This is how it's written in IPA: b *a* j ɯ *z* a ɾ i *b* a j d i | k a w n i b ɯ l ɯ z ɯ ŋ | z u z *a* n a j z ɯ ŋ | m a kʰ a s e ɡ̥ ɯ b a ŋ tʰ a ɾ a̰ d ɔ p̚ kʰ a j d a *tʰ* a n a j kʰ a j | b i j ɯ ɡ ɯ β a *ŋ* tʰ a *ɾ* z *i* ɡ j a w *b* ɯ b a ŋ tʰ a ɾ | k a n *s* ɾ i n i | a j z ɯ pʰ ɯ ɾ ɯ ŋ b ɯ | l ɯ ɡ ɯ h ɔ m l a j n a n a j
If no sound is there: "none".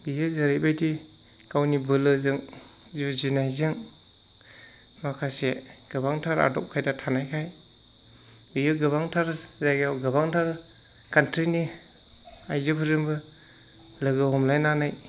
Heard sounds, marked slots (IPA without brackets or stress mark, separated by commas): i, z, b, i, tʰ, ŋ, ɾ, a, ɡ, t